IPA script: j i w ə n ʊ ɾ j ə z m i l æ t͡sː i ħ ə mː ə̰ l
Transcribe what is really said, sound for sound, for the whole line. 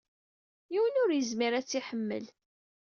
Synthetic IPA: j i w ə n ʊ ɾ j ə z m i ɾ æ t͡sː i ħ ə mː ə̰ l

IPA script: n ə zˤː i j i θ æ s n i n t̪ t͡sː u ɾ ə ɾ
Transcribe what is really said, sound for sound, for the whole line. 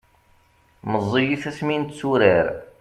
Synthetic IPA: m ə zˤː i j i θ æ s m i n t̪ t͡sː u ɾ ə ɾ

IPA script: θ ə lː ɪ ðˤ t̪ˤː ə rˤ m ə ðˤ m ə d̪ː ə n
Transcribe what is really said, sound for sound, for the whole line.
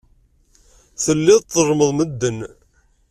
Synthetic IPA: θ ə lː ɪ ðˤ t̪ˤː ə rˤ m ə ðˤ m ə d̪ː ə n

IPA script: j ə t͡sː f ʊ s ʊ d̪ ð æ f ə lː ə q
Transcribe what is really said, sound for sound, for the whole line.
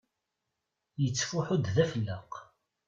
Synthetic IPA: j ə t͡sː f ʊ ħ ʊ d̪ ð æ f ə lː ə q

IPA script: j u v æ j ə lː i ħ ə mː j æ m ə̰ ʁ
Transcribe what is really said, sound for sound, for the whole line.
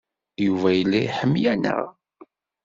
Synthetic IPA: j u v æ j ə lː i ħ ə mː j æ n ə̰ ʁ

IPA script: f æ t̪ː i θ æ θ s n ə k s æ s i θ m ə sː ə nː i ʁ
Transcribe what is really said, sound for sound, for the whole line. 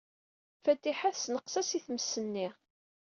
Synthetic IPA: f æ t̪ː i ħ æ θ s n ə q s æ s i θ m ə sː ə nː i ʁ

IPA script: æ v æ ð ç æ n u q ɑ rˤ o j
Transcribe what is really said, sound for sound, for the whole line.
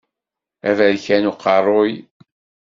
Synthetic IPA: æ v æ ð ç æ n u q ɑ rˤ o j

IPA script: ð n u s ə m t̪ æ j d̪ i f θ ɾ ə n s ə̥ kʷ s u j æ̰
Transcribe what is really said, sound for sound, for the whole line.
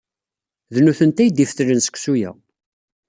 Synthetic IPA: ð n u θ ə n t̪ æ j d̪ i f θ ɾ ə n s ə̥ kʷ s u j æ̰

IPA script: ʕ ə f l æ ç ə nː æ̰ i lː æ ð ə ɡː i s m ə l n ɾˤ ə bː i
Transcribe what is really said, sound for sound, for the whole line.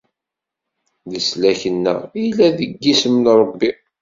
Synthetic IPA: ð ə s l æ ç ə nː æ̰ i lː æ ð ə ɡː i s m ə n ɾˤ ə bː i

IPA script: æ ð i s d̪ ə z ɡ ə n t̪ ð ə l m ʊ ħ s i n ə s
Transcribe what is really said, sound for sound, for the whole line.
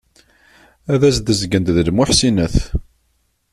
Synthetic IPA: æ ð æ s d̪ ə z ɡ ə n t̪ ð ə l m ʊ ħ s i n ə θ

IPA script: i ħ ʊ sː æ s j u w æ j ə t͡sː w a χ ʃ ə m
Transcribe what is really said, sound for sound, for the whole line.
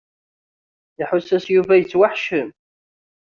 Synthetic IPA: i ħ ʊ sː æ s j u v æ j ə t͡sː w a ħ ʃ ə m

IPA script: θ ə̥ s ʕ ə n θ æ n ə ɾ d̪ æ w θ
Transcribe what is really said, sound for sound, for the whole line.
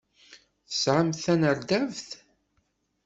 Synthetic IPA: θ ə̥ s ʕ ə m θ æ n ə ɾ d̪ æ v θ

